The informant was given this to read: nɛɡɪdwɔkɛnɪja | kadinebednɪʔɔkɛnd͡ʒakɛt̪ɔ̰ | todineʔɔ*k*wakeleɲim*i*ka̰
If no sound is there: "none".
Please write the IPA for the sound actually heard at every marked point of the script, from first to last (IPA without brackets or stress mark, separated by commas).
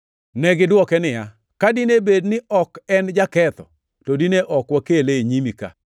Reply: k, i